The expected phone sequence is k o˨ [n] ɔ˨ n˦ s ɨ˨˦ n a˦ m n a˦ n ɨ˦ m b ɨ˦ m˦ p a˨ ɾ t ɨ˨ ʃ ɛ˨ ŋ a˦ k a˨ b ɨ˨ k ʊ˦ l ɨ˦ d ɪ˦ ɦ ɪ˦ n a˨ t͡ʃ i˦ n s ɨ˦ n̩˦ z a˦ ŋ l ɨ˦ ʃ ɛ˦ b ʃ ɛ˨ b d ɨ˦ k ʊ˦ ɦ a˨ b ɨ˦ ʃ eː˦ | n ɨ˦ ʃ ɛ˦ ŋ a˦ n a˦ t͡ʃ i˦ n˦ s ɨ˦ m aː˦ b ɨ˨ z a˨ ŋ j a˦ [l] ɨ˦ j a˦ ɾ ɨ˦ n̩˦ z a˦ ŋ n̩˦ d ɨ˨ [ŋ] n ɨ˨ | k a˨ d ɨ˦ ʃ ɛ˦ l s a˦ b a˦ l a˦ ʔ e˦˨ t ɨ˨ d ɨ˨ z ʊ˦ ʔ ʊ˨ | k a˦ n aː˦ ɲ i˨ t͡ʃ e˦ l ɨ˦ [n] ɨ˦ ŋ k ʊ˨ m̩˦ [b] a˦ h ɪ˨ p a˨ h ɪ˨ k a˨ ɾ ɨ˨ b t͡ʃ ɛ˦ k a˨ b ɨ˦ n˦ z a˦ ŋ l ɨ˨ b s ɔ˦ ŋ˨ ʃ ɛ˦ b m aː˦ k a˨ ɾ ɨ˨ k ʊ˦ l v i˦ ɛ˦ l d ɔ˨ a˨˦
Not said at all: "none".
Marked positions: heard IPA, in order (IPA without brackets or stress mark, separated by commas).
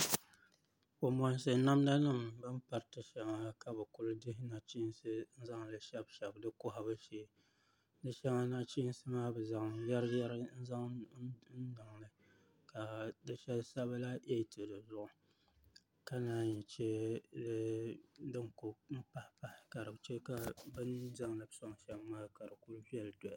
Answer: m, ɾ, ŋ, d, p